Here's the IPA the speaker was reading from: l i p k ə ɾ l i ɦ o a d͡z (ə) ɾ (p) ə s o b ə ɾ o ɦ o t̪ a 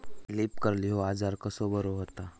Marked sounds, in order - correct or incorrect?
incorrect: a, incorrect: k

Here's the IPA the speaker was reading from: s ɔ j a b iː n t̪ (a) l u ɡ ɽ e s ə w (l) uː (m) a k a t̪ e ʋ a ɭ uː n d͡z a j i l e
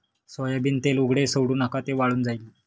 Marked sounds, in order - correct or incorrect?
incorrect: e, incorrect: ɽ, incorrect: n

